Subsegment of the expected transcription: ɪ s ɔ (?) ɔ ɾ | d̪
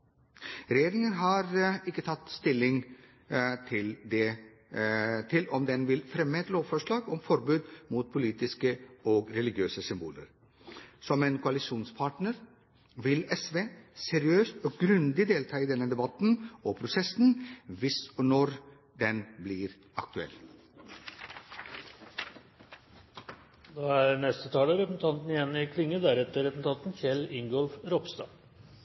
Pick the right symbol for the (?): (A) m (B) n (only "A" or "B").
B